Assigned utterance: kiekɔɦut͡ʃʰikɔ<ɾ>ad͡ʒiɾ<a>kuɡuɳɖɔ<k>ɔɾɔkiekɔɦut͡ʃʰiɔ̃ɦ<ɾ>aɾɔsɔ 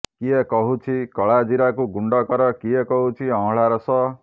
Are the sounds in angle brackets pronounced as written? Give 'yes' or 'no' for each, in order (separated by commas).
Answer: no, yes, yes, no